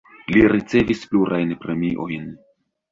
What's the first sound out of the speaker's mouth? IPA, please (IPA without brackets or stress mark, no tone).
l